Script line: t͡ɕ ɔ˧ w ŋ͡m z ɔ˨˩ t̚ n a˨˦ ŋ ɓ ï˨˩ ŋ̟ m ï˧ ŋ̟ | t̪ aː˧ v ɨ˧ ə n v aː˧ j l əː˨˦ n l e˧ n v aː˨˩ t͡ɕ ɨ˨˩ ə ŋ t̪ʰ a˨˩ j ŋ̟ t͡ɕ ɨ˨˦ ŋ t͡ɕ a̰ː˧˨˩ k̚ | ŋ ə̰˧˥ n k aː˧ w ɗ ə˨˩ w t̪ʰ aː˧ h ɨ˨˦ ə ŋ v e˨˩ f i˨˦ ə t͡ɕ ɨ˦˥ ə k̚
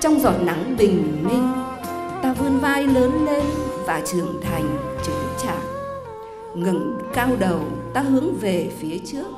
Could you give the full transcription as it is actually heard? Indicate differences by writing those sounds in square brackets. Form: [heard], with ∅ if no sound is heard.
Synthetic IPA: t͡ɕ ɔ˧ w ŋ͡m z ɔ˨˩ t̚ n a˨˦ ŋ ɓ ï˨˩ ŋ̟ m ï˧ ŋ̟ | t̪ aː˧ v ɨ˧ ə n v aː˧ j l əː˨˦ n l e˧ n v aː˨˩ t͡ɕ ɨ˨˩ ə ŋ t̪ʰ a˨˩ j ŋ̟ t͡ɕ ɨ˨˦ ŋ t͡ɕ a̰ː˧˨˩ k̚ | ŋ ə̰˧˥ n k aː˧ w ɗ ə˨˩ w [t̪] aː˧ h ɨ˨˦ ə ŋ v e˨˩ f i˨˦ ə t͡ɕ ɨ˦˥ ə k̚